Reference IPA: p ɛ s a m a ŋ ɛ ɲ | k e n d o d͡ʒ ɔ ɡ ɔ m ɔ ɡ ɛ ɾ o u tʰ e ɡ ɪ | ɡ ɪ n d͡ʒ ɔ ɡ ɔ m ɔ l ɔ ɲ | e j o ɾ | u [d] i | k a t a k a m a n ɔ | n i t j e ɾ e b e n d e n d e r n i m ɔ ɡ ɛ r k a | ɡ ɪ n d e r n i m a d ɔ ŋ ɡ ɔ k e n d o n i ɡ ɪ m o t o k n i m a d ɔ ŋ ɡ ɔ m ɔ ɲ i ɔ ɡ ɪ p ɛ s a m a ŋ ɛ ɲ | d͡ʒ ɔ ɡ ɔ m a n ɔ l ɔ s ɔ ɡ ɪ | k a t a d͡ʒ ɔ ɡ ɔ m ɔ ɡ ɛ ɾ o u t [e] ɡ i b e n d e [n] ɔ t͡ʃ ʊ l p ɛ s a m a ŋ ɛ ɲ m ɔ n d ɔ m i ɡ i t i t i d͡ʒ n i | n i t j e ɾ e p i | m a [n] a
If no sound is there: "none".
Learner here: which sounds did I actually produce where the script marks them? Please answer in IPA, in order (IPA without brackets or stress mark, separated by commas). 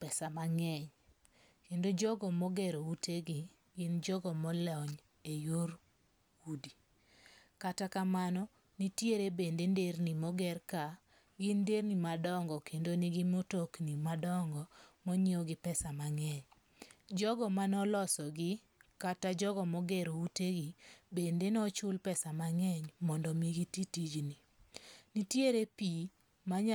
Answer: d, e, n, ɲ